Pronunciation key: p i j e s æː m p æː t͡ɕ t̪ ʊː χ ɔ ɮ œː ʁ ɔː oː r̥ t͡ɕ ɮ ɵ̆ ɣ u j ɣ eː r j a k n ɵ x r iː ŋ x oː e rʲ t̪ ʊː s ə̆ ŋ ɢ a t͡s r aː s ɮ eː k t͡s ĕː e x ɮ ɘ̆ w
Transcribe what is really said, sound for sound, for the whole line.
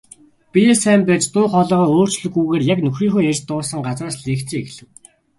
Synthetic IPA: p i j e s æː m p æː t͡ɕ t̪ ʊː χ ɔ ɮ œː ʁ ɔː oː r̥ t͡ɕ ɮ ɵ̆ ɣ u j ɣ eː r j a k n ɵ x r iː ŋ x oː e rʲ t̪ ʊː s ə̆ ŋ ɢ a t͡s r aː s ɮ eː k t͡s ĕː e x ɮ ɘ̆ w